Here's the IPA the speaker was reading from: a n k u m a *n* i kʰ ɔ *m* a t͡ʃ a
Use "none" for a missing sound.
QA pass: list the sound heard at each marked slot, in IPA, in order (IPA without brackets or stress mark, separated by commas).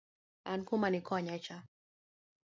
n, ɲ